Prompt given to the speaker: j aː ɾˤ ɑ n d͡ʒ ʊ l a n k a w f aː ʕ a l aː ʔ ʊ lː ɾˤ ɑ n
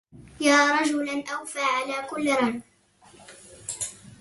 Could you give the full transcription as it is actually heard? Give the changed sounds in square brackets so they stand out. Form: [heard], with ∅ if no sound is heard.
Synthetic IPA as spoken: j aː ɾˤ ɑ [∅] d͡ʒ ʊ l a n [ʔ] a w f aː ʕ a l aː [k] ʊ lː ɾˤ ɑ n